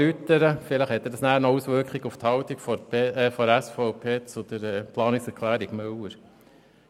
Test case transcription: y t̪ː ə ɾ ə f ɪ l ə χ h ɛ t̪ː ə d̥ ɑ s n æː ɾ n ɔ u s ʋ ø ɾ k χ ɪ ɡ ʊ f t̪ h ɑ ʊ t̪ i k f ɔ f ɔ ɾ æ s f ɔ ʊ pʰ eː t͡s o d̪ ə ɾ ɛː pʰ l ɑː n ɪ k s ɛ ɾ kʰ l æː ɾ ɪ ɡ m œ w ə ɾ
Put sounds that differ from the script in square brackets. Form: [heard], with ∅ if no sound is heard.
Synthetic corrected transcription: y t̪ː ə ɾ ə f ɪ l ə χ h ɛ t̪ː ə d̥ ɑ s n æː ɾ n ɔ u s ʋ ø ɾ k χ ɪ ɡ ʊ f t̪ h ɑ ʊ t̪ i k f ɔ f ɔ ɾ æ s f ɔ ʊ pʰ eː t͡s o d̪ ə ɾ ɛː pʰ l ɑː n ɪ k s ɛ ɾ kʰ l æː ɾ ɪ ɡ m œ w ə ɾ

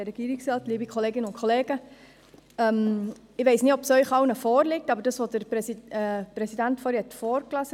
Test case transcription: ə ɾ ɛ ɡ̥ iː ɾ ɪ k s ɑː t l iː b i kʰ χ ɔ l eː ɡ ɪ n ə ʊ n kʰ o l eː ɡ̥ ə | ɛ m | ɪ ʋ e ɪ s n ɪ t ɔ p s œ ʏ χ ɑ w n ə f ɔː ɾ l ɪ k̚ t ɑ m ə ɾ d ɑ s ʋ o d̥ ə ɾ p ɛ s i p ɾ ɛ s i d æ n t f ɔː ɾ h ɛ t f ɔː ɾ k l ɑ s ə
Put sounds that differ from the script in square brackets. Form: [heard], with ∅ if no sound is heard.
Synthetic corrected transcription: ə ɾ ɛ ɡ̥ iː ɾ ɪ k s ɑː t l iː b i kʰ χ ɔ l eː ɡ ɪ n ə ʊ n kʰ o l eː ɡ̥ ə | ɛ m | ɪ ʋ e ɪ s n ɪ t ɔ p s œ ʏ χ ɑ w n ə f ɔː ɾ l ɪ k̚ t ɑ [b] ə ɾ d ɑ s ʋ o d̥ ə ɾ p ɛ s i p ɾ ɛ s i d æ n t f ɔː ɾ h ɛ t f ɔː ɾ k l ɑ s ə

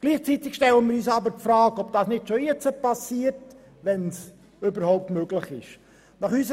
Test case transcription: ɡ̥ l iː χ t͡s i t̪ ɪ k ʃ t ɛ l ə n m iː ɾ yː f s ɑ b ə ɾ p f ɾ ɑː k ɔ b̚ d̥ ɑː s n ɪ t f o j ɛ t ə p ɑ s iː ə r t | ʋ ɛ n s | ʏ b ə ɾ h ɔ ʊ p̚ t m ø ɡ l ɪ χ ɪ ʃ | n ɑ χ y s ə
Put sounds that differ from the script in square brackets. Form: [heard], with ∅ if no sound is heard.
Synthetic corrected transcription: ɡ̥ l iː χ t͡s i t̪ ɪ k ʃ t ɛ l ə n m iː ɾ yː [∅] s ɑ b ə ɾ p f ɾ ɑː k ɔ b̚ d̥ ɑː s n ɪ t [ʃ] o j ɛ [t͡s] ə p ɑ s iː ə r t | ʋ ɛ n s | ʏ b ə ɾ h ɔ ʊ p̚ t m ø ɡ l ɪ χ ɪ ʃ | n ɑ χ y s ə

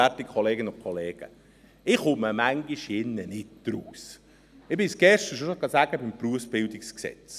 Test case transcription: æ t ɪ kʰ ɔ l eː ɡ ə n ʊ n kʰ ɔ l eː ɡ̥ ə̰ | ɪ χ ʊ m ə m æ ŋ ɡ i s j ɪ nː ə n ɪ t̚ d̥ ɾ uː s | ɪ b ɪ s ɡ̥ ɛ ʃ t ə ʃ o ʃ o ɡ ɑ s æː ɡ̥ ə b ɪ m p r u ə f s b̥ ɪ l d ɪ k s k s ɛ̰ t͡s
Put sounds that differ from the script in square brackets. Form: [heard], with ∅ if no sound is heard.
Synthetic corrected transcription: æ t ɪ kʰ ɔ l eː ɡ ə n ʊ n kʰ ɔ l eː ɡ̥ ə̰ | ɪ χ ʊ m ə m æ ŋ ɡ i [ʃ] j ɪ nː ə n ɪ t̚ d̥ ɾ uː s | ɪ b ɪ s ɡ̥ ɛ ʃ t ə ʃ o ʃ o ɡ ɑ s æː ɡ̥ ə b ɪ m p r u ə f s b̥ ɪ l d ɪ k s k s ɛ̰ t͡s

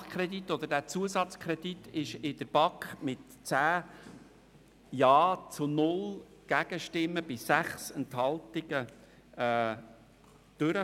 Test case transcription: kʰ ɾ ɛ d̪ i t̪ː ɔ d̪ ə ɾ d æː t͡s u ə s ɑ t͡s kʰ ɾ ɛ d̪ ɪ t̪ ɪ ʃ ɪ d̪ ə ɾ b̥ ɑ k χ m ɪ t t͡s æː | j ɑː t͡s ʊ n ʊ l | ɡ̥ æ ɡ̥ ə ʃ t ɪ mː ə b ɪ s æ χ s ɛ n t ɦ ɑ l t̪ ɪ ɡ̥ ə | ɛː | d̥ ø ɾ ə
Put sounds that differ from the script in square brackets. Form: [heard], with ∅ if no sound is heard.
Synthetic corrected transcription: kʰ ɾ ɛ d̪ i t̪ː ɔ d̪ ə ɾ d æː t͡s u ə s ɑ t͡s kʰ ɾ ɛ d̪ [i] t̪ ɪ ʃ ɪ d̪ ə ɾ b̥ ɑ k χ m ɪ t t͡s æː | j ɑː t͡s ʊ n ʊ l | ɡ̥ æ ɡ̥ ə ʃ t ɪ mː ə b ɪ s æ χ s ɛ n t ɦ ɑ l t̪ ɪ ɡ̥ ə | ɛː | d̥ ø ɾ ə

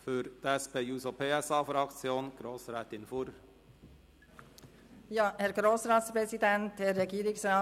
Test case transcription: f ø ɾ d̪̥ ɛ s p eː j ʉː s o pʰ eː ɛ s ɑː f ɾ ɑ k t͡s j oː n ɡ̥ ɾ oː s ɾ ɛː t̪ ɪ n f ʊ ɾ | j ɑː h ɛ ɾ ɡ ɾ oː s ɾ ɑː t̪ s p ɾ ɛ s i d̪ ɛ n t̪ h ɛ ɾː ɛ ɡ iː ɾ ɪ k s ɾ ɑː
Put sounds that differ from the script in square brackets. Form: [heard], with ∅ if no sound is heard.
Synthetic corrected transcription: f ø ɾ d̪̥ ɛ s p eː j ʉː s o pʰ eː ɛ s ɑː f ɾ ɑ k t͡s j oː n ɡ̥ ɾ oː s ɾ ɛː t̪ ɪ n f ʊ ɾ | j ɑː h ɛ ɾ ɡ ɾ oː s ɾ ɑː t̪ s p ɾ ɛ s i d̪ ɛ n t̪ h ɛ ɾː ɛ ɡ iː ɾ ɪ k s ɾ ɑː

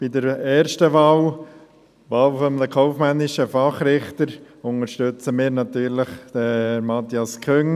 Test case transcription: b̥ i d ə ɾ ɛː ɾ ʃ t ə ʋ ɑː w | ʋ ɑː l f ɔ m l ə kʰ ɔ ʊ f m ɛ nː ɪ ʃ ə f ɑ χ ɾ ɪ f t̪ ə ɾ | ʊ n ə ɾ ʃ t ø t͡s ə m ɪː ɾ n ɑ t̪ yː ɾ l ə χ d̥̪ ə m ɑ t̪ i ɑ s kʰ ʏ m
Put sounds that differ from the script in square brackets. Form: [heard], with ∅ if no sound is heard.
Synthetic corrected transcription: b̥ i d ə ɾ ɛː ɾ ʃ t ə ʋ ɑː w | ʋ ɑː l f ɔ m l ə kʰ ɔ ʊ f m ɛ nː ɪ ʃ ə f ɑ χ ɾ ɪ [χ] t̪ ə ɾ | ʊ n ə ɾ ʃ t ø t͡s ə m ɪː ɾ n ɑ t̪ yː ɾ l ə χ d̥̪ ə m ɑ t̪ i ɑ s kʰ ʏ [ŋ]

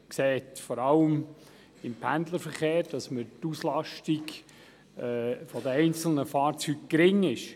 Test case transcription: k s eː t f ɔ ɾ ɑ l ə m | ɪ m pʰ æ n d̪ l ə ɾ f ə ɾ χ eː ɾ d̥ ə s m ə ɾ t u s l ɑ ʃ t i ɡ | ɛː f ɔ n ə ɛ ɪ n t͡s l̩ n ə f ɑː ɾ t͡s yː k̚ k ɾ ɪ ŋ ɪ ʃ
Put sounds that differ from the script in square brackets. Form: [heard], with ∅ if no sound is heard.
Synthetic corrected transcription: k s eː t f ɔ ɾ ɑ l ə m | ɪ m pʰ æ n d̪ l ə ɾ f ə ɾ χ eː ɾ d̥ [ɑ] s m ə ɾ t u s l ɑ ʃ t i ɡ | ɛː f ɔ [d] ə ɛ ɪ n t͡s l̩ n ə f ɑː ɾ t͡s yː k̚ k ɾ ɪ ŋ ɪ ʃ

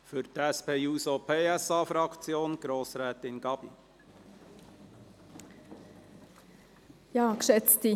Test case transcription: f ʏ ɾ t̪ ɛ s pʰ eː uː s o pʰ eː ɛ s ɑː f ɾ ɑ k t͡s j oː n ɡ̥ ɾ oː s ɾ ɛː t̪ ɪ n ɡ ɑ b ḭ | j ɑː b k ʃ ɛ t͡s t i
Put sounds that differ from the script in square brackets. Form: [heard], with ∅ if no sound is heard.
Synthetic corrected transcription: f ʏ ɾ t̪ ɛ s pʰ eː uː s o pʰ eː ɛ s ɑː f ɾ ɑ k t͡s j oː n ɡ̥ ɾ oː s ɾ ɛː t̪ ɪ n ɡ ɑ b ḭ | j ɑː [∅] k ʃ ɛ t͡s t i

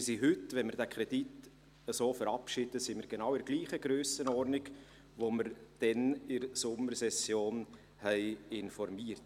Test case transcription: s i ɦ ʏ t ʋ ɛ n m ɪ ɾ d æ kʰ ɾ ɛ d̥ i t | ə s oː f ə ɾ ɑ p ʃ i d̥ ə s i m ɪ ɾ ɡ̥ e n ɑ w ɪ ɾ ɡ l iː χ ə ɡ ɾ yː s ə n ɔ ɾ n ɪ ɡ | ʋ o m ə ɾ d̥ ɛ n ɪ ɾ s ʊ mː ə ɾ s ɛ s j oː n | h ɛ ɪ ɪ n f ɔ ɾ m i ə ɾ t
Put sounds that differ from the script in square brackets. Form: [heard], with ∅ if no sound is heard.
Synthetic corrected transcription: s i ɦ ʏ t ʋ ɛ n m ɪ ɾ d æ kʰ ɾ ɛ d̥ i t | ə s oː f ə ɾ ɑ p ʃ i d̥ ə s i m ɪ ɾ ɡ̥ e n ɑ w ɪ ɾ ɡ l iː χ ə ɡ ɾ [øː] s ə n ɔ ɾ n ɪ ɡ | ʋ o m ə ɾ d̥ ɛ n ɪ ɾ s ʊ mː ə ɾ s ɛ s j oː n | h ɛ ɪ ɪ n f ɔ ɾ m i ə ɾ t

